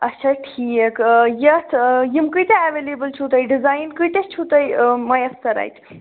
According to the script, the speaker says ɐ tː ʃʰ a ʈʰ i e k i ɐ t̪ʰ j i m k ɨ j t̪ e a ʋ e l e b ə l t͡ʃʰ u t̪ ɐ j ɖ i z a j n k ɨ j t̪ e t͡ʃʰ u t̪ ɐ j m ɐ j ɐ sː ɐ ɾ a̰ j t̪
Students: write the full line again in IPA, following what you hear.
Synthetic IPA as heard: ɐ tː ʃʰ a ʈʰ i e k j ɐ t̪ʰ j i m k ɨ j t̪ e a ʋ e l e b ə l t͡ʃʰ u t̪ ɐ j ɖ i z a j n k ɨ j t̪ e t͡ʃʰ u t̪ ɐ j m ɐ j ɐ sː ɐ ɾ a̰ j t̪